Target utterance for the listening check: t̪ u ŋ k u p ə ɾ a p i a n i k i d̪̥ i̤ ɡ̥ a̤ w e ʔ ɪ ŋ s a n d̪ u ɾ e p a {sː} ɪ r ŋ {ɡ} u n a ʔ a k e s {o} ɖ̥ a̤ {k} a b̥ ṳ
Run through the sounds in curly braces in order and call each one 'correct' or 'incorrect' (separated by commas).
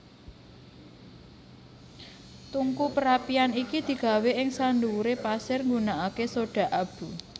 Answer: incorrect, correct, correct, incorrect